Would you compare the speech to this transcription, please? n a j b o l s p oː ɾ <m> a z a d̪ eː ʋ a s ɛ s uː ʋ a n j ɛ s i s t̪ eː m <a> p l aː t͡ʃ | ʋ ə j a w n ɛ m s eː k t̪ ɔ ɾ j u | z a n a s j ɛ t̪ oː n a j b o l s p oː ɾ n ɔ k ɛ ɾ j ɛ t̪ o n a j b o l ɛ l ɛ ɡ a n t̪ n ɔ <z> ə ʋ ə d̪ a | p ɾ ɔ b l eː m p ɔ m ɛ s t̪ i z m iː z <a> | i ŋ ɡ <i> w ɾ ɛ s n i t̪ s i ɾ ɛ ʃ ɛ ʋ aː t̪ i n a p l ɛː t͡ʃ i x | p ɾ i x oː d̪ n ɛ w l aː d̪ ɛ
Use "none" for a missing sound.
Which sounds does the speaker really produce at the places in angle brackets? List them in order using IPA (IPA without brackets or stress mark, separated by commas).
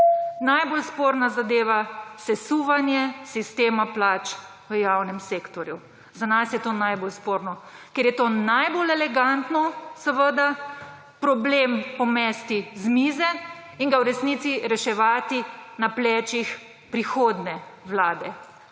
n, a, s, ɛ, a